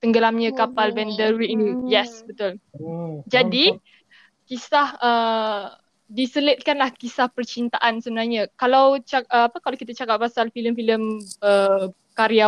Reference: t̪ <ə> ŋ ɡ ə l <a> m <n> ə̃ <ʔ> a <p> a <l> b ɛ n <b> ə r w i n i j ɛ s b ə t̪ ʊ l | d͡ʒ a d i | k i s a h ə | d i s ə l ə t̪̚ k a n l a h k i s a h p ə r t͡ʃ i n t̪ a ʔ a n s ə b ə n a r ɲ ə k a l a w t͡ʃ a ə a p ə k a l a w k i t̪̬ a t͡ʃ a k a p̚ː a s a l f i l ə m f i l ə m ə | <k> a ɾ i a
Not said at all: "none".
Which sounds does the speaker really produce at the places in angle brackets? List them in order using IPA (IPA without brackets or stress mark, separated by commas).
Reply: ə, a, ɲ, k, p, l, d, k